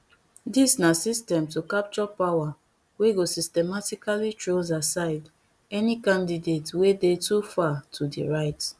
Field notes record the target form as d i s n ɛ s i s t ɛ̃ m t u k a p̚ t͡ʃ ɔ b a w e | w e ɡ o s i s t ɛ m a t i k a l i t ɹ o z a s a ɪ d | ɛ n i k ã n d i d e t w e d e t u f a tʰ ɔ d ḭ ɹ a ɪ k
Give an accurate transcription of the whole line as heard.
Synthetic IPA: d i s n a s i s t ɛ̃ m t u k a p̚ t͡ʃ ɔ p a w a | w e ɡ o s i s t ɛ m a t i k a l i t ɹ o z a s a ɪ d | ɛ n i k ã n d i d e t w e d e t u f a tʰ u d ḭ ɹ a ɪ t

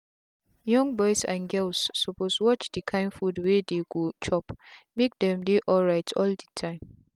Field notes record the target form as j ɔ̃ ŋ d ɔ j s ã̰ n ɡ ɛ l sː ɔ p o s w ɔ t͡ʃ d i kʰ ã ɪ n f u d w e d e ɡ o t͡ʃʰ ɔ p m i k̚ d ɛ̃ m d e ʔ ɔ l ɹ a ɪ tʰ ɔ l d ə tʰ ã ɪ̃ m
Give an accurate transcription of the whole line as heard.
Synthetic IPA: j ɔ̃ ŋ b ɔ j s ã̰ n ɡ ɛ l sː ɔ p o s w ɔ t͡ʃ d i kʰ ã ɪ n f u d w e d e ɡ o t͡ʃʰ ɔ p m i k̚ d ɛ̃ m d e ʔ ɔ l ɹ a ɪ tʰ ɔ l d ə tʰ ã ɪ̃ m

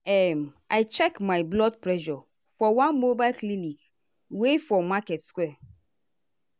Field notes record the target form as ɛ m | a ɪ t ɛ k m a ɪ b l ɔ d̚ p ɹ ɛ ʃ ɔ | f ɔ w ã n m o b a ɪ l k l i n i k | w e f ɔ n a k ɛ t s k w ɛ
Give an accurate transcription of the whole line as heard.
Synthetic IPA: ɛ m | a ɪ t͡ʃ ɛ k m a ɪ b l ɔ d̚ p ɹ ɛ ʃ ɔ | f ɔ w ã n m o b a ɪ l k l i n i k | w e f ɔ m a k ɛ t s k w ɛ

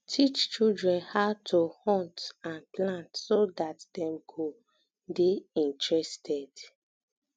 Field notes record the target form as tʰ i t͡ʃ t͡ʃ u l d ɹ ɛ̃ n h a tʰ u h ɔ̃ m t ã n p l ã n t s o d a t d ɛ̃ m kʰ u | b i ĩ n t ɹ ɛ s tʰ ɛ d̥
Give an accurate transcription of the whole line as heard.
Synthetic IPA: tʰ i t͡ʃ t͡ʃ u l d ɹ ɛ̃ n h a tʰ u h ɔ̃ n t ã n p l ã n t s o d a t d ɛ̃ m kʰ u | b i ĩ n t ɹ ɛ s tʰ ɛ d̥

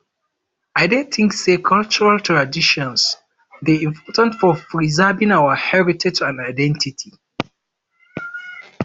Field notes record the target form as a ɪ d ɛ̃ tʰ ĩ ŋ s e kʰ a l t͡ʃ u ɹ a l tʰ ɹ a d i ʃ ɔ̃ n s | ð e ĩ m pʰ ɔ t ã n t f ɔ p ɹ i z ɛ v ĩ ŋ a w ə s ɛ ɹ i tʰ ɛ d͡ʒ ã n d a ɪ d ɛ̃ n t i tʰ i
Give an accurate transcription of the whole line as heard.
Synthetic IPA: a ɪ d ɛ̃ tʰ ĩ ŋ s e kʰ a l t͡ʃ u ɹ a l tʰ ɹ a d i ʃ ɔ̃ n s | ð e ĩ m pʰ ɔ t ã n t f ɔ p ɹ i z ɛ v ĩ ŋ a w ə h ɛ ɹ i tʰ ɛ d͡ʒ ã n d a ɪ d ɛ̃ n t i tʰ i

